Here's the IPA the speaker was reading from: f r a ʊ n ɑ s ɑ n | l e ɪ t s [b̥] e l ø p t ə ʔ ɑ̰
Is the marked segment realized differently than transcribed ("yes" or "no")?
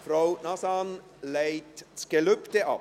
yes